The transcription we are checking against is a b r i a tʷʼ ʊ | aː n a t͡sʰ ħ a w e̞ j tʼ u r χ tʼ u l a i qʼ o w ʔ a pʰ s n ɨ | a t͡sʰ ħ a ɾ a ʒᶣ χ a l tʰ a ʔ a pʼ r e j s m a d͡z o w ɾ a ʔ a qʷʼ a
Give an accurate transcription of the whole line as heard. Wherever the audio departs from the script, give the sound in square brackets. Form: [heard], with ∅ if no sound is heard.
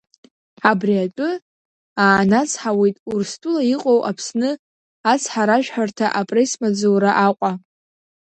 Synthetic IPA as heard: a b r i a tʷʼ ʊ | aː n a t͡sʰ ħ a w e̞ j tʼ u r [s] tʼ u l a i qʼ o w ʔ a pʰ s n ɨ | a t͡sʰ ħ a ɾ a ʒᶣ [ħ] a [r] tʰ a ʔ a pʼ r e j s m a d͡z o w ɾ a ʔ a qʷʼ a

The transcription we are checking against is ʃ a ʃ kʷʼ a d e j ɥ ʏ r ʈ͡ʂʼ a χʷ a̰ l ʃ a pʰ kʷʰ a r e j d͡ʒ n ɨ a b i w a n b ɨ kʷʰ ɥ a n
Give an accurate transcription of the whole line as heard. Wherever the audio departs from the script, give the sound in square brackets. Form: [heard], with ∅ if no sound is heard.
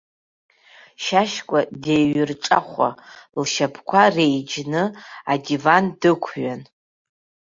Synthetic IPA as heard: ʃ a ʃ kʷʼ a d e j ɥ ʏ r ʈ͡ʂʼ a χʷ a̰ l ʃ a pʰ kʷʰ a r e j d͡ʒ n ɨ a [d] i [v] a n [d] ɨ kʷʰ ɥ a n

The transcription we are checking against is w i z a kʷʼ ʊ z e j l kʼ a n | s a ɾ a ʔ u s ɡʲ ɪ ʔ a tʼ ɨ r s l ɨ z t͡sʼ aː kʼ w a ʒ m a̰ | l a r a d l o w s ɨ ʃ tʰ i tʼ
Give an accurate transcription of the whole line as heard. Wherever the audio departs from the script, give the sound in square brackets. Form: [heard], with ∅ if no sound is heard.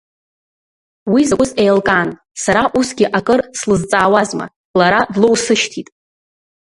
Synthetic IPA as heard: w i z a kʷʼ ʊ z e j l kʼ a n | s a ɾ a ʔ u s ɡʲ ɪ ʔ a [kʼ] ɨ r s l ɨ z t͡sʼ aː [∅] w a [z] m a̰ | l a [ɾ] a d l o w s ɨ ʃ tʰ i tʼ

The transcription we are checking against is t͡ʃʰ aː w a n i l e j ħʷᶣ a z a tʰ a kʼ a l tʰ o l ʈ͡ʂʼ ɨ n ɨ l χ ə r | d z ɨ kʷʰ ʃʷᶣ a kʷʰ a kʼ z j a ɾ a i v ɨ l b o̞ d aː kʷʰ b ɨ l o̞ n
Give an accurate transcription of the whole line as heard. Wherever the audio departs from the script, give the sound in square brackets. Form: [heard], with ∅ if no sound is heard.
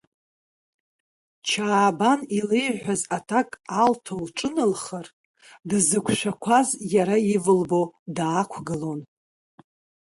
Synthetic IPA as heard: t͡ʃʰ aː [b] a n i l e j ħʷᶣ a z a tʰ a kʼ a l tʰ o l ʈ͡ʂʼ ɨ n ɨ l χ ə r | d z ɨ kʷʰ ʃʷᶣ a kʷʰ a [∅] z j a ɾ a i v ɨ l b o̞ d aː kʷʰ [ɡ] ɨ l o̞ n

